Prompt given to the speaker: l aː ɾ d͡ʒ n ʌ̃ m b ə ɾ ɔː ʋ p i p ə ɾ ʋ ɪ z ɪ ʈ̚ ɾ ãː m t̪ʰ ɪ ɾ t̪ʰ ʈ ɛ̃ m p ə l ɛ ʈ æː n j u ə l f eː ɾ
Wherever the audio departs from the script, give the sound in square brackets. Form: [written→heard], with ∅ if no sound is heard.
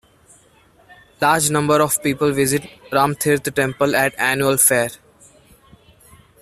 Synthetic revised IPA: l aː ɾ d͡ʒ n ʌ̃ m b ə ɾ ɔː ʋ p [i→iː] p ə [ɾ→l] ʋ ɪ z ɪ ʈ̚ ɾ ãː m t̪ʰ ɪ ɾ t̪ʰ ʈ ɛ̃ m p ə l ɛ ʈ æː n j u ə l f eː ɾ